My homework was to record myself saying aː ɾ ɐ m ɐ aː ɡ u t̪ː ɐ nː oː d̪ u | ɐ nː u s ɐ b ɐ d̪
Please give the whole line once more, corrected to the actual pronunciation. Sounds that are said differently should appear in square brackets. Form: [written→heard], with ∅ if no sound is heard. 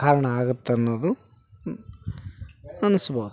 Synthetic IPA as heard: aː ɾ ɐ [m→ɳ] ɐ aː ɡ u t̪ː ɐ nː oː d̪ u | ɐ [nː→n] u s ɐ b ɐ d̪